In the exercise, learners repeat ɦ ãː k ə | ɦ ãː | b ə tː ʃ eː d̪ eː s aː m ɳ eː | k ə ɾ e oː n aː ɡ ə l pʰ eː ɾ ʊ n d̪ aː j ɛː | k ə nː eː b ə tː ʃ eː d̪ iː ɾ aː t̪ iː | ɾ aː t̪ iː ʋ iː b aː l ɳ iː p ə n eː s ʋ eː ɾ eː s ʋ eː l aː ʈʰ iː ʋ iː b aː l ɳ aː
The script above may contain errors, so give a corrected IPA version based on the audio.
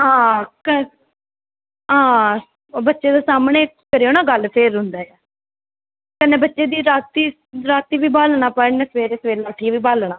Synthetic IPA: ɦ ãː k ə | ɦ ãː | b ə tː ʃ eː d̪ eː s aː m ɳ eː | k ə ɾ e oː n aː ɡ ə l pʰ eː ɾ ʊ n d̪ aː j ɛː | k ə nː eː b ə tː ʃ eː d̪ iː ɾ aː t̪ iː | ɾ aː t̪ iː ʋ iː b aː l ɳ aː p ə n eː s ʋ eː ɾ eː s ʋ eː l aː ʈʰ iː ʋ iː b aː l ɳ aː